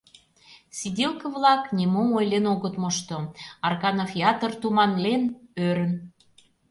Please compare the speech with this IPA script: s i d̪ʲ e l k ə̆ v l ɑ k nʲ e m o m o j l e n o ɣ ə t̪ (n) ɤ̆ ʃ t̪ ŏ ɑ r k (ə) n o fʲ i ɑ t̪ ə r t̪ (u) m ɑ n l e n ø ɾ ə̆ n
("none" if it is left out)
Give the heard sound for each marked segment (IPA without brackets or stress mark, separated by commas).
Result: m, ɑ, u